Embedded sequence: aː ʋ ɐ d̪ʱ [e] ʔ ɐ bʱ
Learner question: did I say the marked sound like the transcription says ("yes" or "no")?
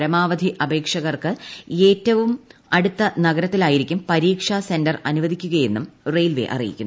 no